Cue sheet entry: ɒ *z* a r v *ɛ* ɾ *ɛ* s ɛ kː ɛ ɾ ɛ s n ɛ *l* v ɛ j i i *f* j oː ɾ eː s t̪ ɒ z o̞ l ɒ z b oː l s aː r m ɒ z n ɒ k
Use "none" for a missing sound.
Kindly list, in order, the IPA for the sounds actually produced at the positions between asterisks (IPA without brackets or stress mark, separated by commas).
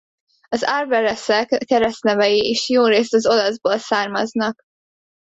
z, ɛ, ɛ, none, ʃ